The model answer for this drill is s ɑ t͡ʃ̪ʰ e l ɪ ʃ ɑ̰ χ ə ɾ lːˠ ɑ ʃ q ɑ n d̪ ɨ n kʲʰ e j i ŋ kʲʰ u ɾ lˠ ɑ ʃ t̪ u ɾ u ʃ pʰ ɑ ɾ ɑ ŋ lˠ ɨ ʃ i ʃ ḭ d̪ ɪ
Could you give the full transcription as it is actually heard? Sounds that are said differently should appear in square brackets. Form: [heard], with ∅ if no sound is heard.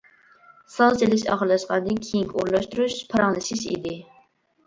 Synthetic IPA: s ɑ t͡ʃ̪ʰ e l ɪ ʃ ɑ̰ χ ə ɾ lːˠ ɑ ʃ q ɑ n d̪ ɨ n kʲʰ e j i ŋ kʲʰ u ɾ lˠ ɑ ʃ t̪ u ɾ u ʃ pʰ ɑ ɾ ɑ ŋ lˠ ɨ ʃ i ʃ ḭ d̪ ɪ